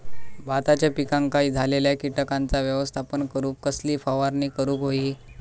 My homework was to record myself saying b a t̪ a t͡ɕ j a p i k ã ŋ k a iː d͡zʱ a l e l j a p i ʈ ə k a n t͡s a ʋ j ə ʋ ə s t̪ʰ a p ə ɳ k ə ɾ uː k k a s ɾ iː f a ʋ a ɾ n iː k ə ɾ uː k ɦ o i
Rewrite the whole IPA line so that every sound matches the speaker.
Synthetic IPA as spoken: b a t̪ a t͡ɕ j a p i k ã ŋ k a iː d͡zʱ a l e l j a k i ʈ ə k a n t͡s a ʋ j ə ʋ ə s t̪ʰ a p ə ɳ k ə ɾ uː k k ə s l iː f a ʋ a ɾ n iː k ə ɾ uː k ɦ o i